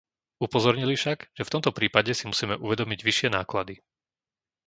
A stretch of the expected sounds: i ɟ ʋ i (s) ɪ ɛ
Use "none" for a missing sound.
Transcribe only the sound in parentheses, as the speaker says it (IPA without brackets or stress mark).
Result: ʃ